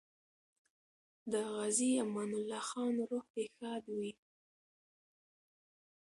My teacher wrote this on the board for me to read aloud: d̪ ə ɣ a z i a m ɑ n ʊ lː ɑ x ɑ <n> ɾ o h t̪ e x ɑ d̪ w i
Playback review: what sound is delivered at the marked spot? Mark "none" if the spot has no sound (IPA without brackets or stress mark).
n